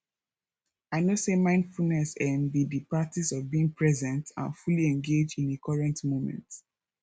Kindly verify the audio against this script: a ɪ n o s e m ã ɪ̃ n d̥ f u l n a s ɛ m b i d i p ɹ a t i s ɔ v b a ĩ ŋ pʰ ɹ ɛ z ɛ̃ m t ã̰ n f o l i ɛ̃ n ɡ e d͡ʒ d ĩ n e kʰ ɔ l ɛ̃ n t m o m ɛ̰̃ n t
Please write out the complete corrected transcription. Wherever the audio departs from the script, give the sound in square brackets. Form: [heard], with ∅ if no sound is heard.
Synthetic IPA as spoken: a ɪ n o s e m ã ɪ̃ n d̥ f u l n [ɛ] s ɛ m b i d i p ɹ a t i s ɔ v b [i] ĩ ŋ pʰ ɹ ɛ z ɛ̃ [n] t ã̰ n f [u] l i ɛ̃ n ɡ e d͡ʒ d ĩ n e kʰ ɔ [ɹ] ɛ̃ n t m o m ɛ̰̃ n t